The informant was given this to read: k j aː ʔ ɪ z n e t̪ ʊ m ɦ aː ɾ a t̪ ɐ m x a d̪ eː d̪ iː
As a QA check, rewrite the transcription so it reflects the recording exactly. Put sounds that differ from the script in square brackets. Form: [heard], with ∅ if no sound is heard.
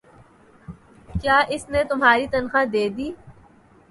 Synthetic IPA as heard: k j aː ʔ ɪ [s] n e t̪ ʊ m ɦ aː ɾ [i] t̪ ɐ [n] x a d̪ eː d̪ iː